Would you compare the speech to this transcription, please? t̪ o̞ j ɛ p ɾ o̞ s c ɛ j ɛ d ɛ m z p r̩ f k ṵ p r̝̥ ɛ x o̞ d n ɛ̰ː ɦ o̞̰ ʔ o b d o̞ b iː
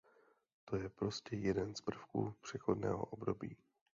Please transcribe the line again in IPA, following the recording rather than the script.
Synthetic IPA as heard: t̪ o̞ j ɛ p ɾ o̞ s c ɛ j ɛ d ɛ n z p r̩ f k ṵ p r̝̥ ɛ x o̞ d n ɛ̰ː ɦ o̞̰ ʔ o b d o̞ b iː